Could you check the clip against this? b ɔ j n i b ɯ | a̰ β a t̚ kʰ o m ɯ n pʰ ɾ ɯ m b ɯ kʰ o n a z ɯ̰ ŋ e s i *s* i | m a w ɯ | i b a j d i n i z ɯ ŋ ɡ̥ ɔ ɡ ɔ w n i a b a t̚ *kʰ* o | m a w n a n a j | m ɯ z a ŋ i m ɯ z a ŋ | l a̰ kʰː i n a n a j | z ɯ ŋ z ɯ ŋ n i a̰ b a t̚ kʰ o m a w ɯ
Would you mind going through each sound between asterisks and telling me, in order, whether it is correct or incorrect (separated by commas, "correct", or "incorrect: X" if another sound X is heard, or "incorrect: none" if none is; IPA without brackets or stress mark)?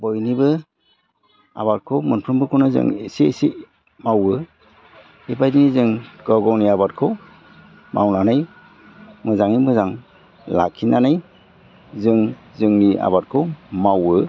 correct, correct